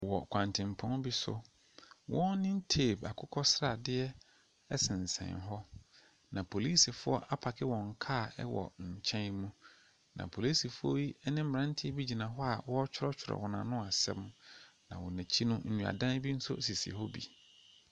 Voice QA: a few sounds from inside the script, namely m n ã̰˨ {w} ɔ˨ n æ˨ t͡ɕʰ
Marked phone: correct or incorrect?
correct